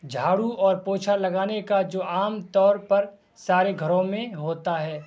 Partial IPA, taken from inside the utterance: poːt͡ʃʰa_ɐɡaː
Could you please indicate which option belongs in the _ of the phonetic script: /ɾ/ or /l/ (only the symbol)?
l